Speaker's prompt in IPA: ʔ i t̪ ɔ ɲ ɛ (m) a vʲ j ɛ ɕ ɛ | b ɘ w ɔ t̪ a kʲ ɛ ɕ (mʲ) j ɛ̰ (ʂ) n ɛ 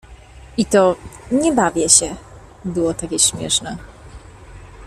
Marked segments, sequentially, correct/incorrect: incorrect: b, correct, correct

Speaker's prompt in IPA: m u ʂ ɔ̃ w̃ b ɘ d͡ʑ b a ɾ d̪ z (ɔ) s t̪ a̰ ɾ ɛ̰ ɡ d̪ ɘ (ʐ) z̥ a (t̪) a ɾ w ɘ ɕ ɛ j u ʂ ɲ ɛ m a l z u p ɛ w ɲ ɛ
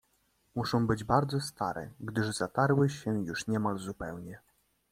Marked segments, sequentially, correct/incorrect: correct, correct, correct

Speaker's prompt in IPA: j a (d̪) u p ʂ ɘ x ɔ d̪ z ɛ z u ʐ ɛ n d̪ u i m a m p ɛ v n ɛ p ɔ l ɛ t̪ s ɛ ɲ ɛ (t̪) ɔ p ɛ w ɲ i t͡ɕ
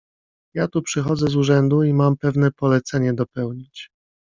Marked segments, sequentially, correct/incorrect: incorrect: t̪, incorrect: d̪

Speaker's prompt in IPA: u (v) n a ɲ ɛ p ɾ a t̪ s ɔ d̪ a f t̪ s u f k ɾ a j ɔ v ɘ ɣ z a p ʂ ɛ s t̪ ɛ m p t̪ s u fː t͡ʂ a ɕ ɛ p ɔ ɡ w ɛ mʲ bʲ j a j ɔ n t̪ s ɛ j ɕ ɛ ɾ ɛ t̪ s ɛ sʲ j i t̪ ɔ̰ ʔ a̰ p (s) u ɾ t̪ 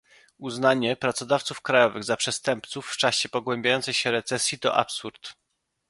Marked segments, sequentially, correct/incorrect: incorrect: z, correct

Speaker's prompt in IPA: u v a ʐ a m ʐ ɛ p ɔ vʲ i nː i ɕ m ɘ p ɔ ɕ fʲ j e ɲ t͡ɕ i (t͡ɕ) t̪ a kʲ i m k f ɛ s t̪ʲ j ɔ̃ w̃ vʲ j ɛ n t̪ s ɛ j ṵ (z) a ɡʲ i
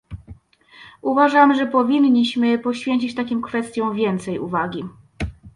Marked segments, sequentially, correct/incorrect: correct, incorrect: v

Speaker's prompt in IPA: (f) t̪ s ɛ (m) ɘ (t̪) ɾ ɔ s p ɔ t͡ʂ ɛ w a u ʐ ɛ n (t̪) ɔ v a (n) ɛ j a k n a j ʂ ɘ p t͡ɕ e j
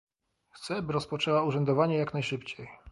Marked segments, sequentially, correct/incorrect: incorrect: x, incorrect: b, incorrect: none, incorrect: d̪, incorrect: ɲ

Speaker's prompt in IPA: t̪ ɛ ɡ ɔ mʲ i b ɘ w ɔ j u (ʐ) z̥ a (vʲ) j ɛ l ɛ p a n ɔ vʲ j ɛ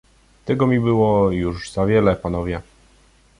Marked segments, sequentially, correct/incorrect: correct, correct

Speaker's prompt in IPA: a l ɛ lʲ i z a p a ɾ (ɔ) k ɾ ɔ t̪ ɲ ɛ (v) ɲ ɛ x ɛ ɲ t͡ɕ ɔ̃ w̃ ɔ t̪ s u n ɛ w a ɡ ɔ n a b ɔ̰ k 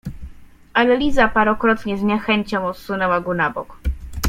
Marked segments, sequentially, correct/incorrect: correct, incorrect: z

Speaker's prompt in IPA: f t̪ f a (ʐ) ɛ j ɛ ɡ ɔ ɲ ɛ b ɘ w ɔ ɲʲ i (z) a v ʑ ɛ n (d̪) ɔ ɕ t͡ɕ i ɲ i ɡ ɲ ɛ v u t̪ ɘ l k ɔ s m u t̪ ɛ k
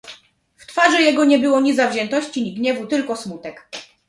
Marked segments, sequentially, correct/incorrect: correct, correct, incorrect: t̪

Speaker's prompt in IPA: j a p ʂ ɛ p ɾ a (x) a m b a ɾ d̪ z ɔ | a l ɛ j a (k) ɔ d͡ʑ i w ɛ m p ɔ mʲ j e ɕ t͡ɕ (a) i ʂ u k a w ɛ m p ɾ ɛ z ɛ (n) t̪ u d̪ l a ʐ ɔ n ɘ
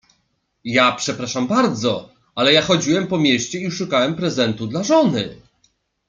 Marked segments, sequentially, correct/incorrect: incorrect: ʂ, incorrect: x, incorrect: ɛ, correct

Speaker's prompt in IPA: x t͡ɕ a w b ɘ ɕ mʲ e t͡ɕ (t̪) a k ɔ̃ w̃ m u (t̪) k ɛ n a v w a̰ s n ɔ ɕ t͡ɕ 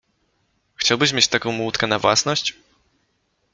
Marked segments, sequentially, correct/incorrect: correct, correct

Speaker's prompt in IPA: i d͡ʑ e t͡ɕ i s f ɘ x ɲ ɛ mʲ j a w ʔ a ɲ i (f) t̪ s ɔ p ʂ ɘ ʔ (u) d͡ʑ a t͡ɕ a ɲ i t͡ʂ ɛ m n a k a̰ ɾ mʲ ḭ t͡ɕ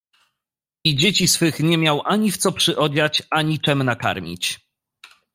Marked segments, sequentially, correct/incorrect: correct, incorrect: ɔ

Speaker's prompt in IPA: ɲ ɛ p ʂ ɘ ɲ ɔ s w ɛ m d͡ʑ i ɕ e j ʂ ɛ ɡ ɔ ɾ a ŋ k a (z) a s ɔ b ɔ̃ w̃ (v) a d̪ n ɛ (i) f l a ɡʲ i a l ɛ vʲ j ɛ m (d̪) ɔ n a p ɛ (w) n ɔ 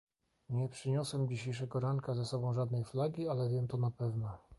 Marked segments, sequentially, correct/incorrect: correct, incorrect: ʐ, incorrect: j, incorrect: t̪, incorrect: v

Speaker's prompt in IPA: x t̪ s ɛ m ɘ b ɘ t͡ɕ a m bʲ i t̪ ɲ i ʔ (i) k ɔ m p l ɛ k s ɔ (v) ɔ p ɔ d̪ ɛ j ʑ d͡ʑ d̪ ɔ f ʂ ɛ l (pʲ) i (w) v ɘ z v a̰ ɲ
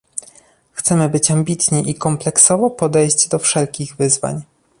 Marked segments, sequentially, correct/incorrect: correct, correct, incorrect: kʲ, incorrect: ɣ

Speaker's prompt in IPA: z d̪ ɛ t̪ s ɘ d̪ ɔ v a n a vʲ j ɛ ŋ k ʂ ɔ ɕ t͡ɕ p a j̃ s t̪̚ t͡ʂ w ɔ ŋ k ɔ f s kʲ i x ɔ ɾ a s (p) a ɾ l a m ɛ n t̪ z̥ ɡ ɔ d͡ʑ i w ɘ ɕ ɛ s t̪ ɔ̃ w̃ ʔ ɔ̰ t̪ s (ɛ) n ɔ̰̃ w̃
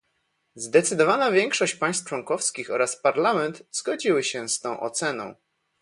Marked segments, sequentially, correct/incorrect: correct, correct

